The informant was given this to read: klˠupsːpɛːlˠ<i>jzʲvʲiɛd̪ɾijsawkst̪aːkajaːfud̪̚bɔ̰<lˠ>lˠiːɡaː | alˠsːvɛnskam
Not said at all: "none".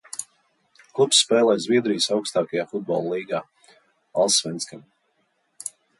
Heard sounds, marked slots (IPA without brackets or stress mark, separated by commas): ɛ, lˠ